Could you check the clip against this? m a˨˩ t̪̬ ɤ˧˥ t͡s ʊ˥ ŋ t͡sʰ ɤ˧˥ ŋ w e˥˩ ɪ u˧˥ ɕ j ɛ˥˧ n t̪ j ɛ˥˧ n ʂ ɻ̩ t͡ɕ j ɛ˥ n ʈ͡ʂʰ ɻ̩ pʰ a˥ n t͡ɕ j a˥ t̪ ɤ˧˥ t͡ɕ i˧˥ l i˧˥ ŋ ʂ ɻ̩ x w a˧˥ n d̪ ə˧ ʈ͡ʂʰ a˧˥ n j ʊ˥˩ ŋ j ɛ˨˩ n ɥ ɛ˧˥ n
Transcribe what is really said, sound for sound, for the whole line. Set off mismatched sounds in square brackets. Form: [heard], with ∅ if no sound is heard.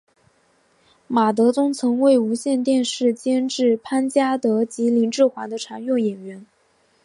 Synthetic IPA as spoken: m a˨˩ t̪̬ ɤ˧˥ t͡s ʊ˥ ŋ t͡sʰ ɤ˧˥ ŋ w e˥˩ ɪ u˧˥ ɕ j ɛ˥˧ n t̪ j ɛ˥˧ n ʂ ɻ̩ t͡ɕ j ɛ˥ n [ʈ͡ʂ] ɻ̩ pʰ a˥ n t͡ɕ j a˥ t̪ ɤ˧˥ t͡ɕ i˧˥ l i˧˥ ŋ [ʈ͡ʂ] ɻ̩ x w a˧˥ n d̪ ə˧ ʈ͡ʂʰ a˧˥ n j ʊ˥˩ ŋ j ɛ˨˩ n ɥ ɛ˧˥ n